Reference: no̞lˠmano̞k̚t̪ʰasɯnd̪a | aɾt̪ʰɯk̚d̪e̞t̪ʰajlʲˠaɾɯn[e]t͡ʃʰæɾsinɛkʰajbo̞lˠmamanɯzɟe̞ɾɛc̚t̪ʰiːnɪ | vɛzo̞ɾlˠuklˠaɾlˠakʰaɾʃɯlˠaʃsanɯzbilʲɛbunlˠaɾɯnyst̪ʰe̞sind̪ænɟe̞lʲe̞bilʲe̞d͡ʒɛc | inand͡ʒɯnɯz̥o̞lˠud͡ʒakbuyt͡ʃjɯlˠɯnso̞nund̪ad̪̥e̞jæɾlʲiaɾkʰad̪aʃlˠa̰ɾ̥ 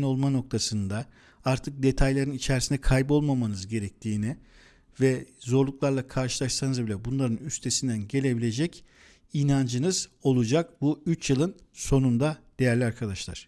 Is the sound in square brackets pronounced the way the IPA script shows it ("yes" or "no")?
no